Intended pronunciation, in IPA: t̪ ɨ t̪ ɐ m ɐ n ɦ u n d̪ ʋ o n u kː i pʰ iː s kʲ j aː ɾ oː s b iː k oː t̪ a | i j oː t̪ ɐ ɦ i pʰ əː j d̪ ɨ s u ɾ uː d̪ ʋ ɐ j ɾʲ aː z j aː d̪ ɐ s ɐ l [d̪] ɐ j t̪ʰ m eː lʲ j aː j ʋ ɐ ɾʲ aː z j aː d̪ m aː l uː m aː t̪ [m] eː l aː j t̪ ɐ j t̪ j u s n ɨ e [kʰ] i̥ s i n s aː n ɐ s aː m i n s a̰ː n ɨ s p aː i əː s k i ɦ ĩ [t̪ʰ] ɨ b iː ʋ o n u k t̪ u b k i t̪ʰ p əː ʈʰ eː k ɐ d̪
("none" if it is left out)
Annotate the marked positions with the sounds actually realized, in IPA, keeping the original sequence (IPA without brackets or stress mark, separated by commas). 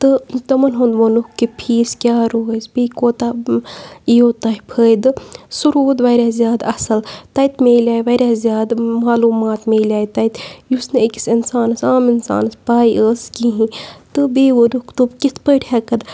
t̪, m, k, t̪